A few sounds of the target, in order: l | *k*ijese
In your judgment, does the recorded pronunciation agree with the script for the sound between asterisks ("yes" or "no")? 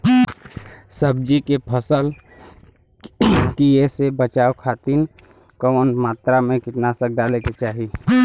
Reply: yes